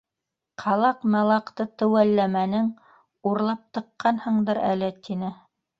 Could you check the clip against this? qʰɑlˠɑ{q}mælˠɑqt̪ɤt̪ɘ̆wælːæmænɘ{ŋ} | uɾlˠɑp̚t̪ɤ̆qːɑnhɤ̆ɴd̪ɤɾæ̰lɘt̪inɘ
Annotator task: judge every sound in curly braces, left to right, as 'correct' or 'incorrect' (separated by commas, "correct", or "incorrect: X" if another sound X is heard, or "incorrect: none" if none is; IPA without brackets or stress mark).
correct, correct